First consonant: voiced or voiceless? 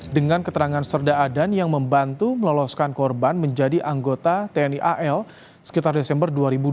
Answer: voiced